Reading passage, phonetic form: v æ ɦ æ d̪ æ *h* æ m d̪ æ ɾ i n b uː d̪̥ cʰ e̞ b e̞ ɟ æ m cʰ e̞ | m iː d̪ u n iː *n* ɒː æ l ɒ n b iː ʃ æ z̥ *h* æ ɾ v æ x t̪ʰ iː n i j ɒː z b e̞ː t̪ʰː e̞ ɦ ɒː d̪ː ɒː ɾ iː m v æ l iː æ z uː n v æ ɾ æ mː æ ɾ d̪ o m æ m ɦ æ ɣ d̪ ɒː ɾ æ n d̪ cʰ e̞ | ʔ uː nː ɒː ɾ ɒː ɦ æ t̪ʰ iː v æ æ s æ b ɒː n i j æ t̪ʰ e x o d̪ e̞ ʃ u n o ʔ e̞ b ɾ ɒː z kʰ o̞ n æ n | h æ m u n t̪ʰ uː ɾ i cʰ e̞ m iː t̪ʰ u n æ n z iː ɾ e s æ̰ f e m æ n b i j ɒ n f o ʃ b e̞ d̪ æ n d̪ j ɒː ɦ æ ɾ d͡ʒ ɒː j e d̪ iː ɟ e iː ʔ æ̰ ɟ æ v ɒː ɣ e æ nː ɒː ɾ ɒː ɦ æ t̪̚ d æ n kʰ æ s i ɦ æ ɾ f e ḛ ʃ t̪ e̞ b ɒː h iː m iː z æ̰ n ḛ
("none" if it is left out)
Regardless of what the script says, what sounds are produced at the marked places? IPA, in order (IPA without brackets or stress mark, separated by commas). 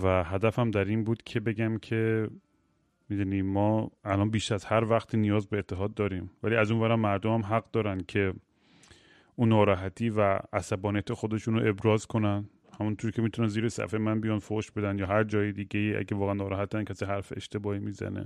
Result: f, m, h